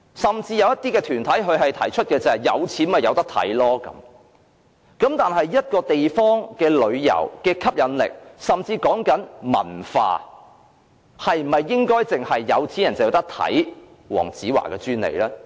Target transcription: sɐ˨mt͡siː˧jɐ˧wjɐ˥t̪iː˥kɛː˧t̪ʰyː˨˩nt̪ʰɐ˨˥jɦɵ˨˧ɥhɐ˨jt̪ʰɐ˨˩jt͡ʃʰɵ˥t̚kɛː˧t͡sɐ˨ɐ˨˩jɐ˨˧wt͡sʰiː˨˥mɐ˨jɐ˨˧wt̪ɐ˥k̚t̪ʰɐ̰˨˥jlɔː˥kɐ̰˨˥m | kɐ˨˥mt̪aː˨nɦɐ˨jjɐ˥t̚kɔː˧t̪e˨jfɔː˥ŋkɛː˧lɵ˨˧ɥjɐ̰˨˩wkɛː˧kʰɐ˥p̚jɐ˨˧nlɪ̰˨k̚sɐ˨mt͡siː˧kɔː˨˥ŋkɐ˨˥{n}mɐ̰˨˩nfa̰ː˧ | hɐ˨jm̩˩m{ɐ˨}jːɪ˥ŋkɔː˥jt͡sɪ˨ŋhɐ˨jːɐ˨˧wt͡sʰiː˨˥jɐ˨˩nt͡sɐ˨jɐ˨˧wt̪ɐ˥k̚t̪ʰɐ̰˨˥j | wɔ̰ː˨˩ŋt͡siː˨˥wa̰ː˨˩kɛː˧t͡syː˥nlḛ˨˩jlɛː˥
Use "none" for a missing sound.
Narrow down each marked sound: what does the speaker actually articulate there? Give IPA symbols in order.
n, ɐ˨

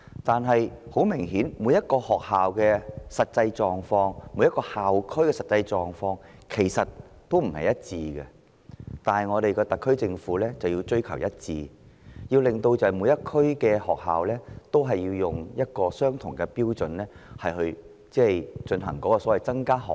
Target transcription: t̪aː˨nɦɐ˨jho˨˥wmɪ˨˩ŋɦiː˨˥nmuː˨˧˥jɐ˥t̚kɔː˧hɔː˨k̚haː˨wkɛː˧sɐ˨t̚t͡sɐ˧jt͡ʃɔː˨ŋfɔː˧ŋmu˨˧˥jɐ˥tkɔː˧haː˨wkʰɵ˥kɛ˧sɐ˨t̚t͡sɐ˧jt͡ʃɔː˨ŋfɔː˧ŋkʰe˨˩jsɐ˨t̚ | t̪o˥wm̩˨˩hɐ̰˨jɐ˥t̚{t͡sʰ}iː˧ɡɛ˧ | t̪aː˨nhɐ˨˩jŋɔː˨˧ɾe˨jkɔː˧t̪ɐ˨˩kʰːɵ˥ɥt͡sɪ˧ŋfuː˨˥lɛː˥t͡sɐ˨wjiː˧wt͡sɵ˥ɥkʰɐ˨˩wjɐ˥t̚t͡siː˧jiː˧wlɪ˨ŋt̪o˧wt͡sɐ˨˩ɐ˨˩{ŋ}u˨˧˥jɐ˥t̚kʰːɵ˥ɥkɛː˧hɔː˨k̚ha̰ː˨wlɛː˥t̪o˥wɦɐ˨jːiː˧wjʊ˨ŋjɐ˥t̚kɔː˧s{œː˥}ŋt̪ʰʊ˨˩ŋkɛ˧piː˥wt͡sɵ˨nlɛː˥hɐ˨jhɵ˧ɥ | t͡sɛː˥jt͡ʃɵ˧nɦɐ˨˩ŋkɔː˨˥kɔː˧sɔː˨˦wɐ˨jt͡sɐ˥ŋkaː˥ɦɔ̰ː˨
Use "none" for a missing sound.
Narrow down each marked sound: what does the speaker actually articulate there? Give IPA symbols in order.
t͡s, m, œː˥

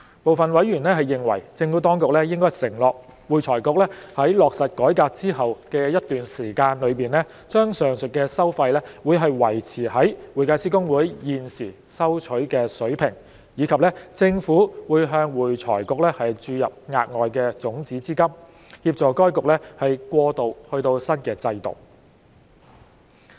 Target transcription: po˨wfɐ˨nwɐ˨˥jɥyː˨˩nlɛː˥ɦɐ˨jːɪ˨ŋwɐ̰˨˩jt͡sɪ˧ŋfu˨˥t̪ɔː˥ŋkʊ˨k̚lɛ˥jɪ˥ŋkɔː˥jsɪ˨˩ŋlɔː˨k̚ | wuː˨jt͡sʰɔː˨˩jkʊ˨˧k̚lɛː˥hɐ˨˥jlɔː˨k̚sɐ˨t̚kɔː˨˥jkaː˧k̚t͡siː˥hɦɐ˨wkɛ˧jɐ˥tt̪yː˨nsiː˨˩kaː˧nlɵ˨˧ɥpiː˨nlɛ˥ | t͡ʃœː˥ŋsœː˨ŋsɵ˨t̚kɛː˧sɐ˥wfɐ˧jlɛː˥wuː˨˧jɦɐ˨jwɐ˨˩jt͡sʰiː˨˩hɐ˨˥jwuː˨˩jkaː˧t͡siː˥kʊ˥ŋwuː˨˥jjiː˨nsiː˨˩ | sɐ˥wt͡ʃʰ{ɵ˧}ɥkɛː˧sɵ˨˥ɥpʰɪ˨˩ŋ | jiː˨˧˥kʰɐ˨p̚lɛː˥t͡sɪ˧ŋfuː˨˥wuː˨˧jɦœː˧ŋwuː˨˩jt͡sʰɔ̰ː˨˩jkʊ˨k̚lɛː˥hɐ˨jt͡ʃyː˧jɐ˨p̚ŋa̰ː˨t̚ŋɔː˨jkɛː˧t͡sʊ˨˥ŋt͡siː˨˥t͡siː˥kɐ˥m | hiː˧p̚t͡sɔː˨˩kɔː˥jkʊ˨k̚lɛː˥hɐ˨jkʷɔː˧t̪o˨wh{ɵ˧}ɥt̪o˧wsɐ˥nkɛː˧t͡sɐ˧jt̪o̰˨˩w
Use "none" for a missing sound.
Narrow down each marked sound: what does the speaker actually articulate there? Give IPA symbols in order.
ɵ˨˥, ɵ˧

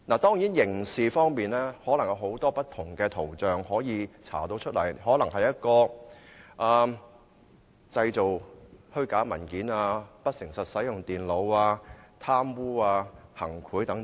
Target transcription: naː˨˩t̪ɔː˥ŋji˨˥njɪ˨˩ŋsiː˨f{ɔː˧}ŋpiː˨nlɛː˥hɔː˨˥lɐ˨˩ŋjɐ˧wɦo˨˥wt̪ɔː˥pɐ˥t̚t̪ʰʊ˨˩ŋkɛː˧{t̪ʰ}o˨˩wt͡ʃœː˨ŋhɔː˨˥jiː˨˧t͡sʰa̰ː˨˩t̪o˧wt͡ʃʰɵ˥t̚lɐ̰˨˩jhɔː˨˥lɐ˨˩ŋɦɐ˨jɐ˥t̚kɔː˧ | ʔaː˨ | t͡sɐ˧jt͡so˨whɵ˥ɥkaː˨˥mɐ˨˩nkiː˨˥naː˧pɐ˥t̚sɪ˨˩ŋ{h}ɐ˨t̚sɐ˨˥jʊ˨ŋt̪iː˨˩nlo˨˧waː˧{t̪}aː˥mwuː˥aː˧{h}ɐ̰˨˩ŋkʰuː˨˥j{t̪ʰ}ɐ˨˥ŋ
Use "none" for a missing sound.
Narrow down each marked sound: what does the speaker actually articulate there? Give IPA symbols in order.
ɔː˥, t̪ʰ, s, t̪ʰ, h, t̪

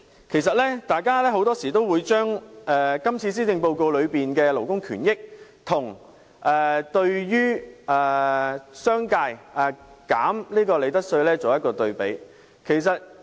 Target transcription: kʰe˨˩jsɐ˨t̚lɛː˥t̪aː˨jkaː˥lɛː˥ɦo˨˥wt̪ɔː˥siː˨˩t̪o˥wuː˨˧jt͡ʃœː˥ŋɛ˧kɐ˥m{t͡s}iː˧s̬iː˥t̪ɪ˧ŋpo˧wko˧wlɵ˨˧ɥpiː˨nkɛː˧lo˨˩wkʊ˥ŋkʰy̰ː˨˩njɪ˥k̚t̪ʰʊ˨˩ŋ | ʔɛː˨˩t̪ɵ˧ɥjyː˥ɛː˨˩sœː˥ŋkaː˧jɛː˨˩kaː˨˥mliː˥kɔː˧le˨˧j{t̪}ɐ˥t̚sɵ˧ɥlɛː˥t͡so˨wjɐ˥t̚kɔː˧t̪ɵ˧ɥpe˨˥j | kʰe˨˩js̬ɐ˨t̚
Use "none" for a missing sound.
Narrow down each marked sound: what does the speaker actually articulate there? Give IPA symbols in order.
t͡sʰ, t̪

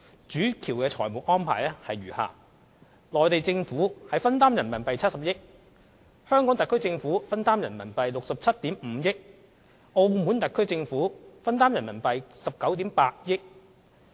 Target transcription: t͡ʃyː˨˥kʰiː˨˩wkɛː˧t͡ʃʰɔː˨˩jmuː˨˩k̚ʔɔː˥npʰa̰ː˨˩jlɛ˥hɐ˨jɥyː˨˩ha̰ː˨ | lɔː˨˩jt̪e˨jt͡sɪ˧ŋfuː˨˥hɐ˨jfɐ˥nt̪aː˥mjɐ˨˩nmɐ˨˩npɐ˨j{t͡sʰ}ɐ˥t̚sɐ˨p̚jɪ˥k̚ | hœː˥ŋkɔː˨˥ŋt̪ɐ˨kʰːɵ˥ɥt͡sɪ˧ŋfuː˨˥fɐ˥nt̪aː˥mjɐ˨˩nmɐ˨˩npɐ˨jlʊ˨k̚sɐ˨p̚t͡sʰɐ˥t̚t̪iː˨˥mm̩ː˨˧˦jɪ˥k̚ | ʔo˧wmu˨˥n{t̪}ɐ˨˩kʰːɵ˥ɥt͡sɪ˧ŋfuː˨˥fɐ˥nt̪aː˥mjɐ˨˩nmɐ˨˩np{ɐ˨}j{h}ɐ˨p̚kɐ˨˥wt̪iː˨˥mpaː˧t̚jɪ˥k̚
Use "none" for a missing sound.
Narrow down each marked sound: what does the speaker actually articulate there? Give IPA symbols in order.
t͡sʰ, t̪, ɐ˨, s

